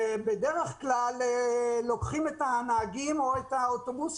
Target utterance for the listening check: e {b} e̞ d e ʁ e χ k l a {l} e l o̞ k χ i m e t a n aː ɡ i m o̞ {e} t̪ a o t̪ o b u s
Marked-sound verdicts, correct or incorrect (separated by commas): correct, correct, correct